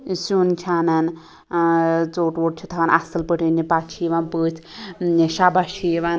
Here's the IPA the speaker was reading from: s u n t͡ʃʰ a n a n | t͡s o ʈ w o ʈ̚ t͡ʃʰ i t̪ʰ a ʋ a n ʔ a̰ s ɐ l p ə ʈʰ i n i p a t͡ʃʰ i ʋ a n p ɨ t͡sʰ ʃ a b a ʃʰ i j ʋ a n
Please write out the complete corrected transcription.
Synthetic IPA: s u n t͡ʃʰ a n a n | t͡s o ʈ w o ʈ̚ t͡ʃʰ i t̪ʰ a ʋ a n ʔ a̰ s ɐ l p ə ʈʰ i n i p a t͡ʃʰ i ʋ a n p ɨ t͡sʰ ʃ a b a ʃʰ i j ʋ a n

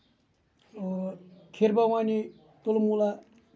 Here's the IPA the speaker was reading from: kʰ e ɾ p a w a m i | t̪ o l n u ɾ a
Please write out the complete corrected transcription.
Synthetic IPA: kʰ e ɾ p a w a n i | t̪ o l m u l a

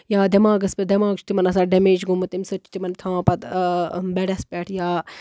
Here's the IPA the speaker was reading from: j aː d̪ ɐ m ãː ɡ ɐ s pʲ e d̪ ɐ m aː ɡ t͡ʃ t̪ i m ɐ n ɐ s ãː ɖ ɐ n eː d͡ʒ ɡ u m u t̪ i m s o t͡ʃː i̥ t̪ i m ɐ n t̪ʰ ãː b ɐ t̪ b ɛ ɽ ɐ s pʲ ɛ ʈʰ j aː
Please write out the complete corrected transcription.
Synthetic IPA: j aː d̪ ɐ m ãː ɡ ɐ s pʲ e d̪ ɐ m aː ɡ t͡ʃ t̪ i m ɐ n ɐ s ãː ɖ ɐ m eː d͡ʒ ɡ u m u t̪ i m s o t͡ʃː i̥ t̪ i m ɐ n t̪ʰ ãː p ɐ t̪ b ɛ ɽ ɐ s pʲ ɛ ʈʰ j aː

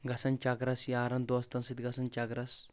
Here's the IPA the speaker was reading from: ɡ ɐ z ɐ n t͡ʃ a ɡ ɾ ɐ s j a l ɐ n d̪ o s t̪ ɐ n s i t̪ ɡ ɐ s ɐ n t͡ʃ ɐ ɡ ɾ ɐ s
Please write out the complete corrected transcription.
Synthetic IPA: ɡ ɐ s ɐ n t͡ʃ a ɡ ɾ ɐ s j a ɾ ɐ n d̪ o s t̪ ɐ n s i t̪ ɡ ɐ s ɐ n t͡ʃ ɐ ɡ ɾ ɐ s

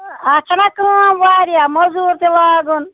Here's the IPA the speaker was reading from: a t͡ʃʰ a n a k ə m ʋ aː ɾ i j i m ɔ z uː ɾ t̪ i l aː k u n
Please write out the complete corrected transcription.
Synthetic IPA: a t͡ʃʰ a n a k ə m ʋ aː ɾ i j a m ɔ z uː ɾ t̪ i l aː ɡ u n

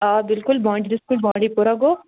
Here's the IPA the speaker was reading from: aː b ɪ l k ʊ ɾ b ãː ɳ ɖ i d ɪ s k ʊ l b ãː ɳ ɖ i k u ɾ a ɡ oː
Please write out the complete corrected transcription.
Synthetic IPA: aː b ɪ l k ʊ l b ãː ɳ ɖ i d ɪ s k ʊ l b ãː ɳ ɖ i p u ɾ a ɡ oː

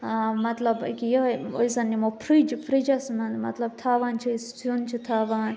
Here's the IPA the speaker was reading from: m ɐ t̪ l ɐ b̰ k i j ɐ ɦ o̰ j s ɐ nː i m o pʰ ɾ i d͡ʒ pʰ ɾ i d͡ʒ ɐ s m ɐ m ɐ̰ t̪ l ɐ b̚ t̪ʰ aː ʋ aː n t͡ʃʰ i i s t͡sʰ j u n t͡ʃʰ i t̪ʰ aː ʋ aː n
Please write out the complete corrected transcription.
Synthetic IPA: m ɐ t̪ l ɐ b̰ k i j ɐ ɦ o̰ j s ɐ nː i m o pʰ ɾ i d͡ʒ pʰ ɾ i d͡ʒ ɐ s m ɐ m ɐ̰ t̪ l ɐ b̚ t̪ʰ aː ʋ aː n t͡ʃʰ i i s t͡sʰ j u n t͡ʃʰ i t̪ʰ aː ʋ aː n

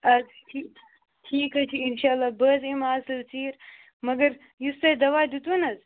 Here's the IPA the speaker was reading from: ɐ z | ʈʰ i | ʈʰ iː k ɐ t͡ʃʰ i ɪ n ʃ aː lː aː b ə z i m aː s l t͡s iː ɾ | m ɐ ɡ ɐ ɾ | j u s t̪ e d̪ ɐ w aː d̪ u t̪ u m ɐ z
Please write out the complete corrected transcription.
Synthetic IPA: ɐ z | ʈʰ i | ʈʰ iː k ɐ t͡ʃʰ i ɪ n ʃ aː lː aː b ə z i m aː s l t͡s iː ɾ | m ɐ ɡ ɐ ɾ | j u s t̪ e d̪ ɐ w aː d̪ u t̪ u n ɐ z

